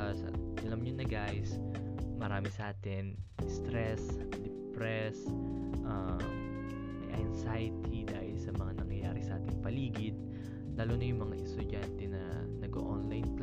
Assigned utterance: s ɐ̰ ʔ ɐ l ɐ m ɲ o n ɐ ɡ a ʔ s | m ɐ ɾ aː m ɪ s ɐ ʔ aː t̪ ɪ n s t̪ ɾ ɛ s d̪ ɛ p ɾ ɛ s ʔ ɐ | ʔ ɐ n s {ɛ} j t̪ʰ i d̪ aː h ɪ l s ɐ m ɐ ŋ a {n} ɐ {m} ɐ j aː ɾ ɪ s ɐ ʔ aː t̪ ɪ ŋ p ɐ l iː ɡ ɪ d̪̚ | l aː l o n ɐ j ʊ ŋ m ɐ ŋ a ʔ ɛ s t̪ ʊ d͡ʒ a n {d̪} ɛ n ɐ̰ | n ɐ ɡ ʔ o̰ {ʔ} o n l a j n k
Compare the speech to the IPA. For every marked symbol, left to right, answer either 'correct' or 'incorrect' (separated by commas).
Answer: incorrect, correct, incorrect, incorrect, correct